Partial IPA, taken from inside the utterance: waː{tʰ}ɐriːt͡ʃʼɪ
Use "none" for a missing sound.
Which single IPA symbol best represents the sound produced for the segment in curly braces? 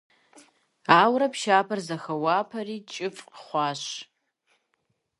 pʰ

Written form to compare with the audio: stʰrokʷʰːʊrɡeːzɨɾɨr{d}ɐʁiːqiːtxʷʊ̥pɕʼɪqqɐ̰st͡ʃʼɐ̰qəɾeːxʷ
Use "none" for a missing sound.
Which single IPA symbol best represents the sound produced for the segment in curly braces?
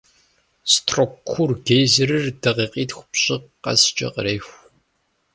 d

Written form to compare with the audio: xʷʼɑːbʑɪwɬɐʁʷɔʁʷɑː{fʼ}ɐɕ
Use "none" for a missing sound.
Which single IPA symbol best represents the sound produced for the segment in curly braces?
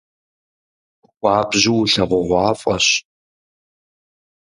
fʼ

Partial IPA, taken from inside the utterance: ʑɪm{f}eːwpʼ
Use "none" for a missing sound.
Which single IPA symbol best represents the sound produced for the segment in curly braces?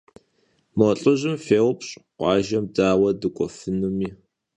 f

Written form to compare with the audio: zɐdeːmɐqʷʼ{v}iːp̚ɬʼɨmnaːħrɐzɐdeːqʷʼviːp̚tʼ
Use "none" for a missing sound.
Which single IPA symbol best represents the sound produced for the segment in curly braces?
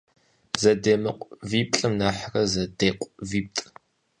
v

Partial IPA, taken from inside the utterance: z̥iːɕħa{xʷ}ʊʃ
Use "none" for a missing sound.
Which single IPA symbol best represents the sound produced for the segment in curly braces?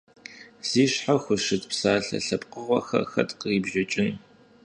xʷ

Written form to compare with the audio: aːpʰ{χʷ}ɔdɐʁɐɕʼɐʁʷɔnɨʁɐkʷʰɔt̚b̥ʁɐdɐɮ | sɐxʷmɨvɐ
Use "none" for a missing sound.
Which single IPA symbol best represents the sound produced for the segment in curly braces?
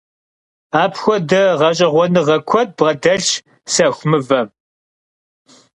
xʷ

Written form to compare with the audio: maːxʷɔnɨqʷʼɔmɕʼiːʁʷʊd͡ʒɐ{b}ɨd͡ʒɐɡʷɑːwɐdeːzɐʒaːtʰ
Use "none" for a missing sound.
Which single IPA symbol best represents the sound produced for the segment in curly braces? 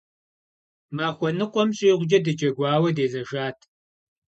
d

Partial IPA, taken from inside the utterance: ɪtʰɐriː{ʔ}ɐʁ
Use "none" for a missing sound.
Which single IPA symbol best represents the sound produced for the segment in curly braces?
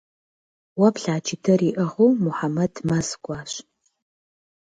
ʔ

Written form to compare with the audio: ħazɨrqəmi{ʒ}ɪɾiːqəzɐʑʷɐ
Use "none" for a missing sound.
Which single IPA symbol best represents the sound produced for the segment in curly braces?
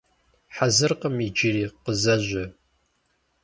d͡ʒ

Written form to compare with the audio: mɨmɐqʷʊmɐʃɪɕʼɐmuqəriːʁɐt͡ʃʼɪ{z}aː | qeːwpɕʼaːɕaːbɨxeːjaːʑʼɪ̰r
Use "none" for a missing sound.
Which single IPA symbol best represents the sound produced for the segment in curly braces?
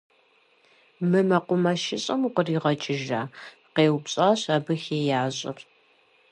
ʒ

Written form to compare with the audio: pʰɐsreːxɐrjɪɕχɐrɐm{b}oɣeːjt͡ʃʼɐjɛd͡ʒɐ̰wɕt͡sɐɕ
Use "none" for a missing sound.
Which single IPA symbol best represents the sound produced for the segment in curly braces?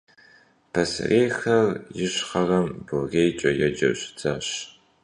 b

